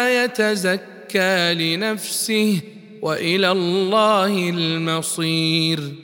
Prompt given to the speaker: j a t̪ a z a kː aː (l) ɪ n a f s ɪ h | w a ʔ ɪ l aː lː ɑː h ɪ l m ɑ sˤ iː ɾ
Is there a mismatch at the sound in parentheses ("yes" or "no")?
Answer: no